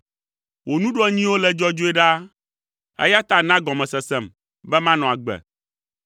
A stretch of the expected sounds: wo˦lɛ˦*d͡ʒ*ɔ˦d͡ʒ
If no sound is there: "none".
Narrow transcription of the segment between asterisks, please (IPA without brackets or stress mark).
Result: d͡ʒ